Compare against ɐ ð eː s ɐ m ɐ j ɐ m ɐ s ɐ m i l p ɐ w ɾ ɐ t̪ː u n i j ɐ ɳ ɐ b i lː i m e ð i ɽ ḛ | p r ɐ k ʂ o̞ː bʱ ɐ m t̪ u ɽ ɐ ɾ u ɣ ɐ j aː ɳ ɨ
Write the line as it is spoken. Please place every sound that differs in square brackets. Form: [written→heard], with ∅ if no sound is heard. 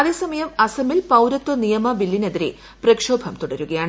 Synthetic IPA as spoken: ɐ ð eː s ɐ m ɐ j ɐ m ɐ s ɐ m i l p ɐ w ɾ ɐ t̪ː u n i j ɐ [ɳ→m] ɐ b i lː i [m→n] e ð i [ɽ→ɾ] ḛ | p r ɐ k ʂ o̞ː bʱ ɐ m t̪ u ɽ ɐ ɾ u ɣ ɐ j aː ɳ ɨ

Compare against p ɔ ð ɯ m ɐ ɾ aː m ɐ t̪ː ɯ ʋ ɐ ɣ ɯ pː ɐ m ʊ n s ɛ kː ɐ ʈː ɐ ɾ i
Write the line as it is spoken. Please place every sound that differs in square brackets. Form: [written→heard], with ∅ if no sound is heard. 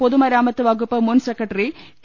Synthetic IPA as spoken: p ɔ ð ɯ m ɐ ɾ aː m ɐ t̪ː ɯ ʋ ɐ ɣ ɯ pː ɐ m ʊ n s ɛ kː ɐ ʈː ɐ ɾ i

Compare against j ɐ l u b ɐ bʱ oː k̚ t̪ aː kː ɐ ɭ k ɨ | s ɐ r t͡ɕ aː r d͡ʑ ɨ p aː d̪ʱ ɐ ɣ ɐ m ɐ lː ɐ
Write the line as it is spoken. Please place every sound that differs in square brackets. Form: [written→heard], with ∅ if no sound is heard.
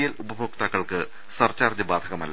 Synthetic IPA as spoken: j ɐ l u b ɐ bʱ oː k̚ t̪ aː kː ɐ ɭ k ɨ | s ɐ r t͡ɕ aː r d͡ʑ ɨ [p→b] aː d̪ʱ ɐ ɣ ɐ m ɐ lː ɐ

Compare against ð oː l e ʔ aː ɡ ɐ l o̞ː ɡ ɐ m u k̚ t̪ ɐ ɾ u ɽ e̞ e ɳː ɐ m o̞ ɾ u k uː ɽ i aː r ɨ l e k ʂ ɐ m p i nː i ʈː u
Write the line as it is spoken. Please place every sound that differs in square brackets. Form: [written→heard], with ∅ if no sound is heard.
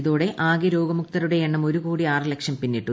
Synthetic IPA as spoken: ð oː [l→ɽ] e ʔ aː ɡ ɐ [l→ɾ] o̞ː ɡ ɐ m u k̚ t̪ ɐ ɾ u ɽ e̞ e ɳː ɐ m o̞ ɾ u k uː ɽ i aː r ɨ l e k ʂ ɐ m p i nː i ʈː u

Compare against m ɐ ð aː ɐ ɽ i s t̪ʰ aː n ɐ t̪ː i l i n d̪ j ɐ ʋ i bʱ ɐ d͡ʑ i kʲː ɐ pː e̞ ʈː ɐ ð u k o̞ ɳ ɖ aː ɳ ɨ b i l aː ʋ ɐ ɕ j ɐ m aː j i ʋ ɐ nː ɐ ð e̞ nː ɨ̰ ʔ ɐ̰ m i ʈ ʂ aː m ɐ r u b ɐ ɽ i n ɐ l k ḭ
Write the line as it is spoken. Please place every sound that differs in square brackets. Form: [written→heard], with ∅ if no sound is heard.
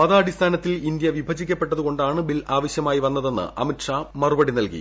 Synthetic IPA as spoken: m ɐ ð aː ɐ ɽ i s t̪ʰ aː n ɐ t̪ː i l i n d̪ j ɐ ʋ i bʱ ɐ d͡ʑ i kʲː ɐ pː e̞ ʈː ɐ ð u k o̞ ɳ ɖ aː ɳ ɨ b i l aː ʋ ɐ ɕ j ɐ m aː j i ʋ ɐ nː ɐ ð e̞ nː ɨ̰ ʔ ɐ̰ m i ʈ ʂ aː m ɐ r u b ɐ ɽ i n ɐ l k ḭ

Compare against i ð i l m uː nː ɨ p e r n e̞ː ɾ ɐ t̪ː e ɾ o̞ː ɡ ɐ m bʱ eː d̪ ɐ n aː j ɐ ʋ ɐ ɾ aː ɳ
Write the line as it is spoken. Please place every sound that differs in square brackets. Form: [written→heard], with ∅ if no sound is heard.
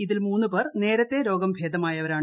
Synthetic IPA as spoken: i ð i l m uː nː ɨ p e r n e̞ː ɾ ɐ t̪ː e ɾ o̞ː ɡ ɐ m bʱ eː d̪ ɐ [n→m] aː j ɐ ʋ ɐ ɾ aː ɳ

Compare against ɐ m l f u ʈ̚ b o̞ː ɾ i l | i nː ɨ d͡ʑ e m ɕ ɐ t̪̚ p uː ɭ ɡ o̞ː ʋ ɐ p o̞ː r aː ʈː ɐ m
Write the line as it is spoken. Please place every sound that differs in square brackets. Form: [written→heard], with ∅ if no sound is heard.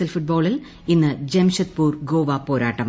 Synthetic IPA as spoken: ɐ [m→∅] l f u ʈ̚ b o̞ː [ɾ→ɭ] i l | i nː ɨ d͡ʑ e m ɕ ɐ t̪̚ p uː [ɭ→r] ɡ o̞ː ʋ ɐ p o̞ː [r→ɾ] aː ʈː ɐ m

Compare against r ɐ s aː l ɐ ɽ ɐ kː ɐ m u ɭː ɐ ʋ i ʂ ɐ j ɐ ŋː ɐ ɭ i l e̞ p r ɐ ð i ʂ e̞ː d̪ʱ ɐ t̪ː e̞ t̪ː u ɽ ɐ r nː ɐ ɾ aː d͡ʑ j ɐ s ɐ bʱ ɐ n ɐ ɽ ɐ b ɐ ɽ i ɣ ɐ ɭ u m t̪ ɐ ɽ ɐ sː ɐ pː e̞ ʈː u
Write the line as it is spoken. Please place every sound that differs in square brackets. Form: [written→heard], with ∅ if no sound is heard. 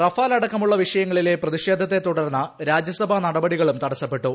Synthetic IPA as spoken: r ɐ [s→f] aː l ɐ ɽ ɐ kː ɐ m u ɭː ɐ ʋ i ʂ ɐ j ɐ ŋː ɐ ɭ i l e̞ p r ɐ ð i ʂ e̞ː d̪ʱ ɐ t̪ː e̞ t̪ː u ɽ ɐ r nː ɐ ɾ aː d͡ʑ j ɐ s ɐ bʱ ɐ n ɐ ɽ ɐ b ɐ ɽ i ɣ ɐ ɭ u m t̪ ɐ ɽ ɐ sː ɐ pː e̞ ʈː u

